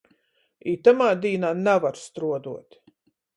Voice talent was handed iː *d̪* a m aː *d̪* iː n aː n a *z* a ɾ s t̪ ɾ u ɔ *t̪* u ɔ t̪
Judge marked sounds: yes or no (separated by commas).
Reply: no, yes, no, no